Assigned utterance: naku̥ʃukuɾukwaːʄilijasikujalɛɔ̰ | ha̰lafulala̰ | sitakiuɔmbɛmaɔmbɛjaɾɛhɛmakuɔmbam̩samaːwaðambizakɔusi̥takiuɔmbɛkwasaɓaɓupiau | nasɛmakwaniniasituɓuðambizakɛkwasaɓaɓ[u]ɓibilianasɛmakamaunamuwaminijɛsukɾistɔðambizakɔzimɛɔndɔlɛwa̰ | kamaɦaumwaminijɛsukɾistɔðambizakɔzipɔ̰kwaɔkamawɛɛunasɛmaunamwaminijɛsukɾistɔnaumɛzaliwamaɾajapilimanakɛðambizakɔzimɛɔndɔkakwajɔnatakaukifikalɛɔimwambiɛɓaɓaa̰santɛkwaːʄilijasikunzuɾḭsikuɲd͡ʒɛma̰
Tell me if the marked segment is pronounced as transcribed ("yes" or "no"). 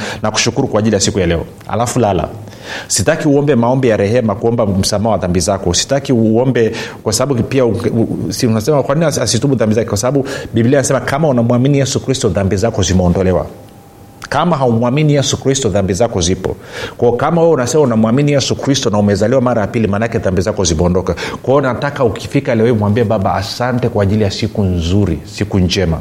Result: yes